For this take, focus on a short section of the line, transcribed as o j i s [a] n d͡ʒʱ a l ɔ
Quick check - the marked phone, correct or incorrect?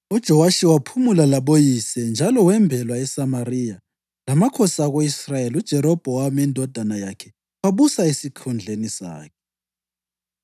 incorrect